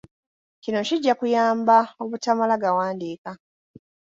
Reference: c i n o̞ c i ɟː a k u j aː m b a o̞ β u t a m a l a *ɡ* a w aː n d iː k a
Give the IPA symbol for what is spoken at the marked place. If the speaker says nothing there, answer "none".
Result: ɡ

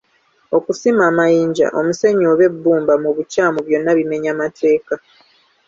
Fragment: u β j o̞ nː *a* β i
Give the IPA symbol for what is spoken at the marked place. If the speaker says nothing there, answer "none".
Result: a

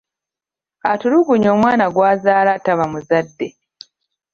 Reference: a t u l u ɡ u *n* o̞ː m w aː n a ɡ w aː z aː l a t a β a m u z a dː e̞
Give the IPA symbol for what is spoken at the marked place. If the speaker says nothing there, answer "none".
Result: ɲ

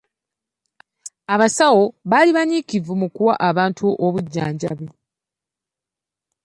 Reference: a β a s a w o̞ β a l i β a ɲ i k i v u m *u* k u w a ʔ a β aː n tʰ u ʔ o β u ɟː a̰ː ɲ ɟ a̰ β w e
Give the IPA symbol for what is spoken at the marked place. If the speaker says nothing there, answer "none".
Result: u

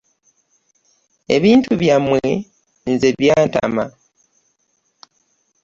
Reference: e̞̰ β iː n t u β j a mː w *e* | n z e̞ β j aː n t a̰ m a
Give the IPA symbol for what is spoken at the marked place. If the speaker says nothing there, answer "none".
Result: e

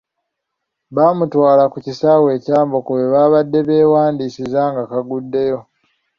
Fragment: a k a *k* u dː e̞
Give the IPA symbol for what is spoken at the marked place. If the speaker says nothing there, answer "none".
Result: ɡ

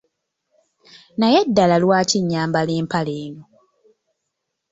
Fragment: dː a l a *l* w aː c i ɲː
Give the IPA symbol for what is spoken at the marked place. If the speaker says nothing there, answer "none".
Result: l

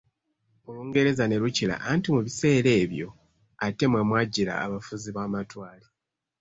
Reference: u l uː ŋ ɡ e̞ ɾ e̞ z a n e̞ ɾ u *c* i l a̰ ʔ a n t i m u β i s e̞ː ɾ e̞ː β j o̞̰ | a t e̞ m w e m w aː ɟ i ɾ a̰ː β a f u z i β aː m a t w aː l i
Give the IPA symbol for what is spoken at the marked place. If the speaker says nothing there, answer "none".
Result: c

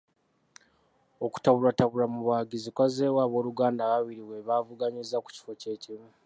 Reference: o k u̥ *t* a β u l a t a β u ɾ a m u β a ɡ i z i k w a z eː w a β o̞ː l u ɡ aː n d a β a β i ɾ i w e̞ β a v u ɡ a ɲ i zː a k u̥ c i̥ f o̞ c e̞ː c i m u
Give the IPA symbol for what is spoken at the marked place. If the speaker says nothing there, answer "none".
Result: t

